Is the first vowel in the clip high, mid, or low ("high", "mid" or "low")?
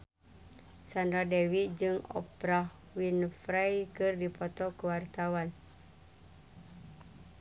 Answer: low